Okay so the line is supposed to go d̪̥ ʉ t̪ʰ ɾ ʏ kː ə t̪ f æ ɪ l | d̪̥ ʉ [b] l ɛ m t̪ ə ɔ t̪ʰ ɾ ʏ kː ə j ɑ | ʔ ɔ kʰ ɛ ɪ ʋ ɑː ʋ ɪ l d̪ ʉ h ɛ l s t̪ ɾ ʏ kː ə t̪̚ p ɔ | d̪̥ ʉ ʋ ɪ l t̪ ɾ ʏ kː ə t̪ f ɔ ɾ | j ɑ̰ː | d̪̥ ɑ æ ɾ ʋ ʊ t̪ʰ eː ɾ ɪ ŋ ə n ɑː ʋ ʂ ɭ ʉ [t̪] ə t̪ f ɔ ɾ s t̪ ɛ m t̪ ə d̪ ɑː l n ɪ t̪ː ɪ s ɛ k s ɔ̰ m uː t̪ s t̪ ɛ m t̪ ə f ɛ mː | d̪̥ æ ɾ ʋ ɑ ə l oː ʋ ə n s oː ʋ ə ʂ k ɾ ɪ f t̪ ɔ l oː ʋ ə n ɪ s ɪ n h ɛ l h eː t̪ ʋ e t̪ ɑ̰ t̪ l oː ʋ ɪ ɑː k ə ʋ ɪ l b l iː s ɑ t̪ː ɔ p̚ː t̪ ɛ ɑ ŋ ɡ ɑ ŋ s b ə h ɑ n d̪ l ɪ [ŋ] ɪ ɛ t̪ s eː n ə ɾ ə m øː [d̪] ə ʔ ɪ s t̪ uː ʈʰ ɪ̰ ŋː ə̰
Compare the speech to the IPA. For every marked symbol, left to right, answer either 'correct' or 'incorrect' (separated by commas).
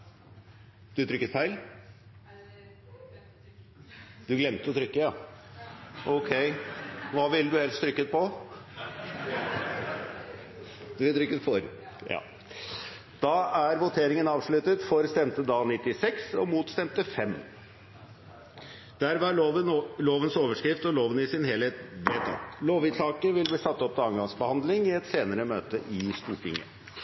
incorrect, correct, correct, incorrect